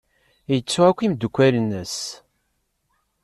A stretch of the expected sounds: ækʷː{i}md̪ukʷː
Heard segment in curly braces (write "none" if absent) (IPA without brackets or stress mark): i